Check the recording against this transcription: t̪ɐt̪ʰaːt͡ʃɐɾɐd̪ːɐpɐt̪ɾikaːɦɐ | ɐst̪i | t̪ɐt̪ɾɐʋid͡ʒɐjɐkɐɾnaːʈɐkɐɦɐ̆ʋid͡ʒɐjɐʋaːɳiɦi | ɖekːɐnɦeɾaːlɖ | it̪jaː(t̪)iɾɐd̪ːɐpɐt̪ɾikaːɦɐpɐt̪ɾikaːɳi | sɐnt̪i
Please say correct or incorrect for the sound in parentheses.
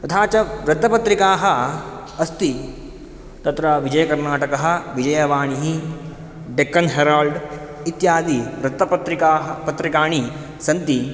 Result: incorrect